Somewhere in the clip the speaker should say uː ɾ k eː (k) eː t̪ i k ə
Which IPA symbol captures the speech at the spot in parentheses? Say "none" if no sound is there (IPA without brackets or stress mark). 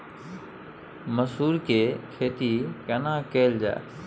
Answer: kʰ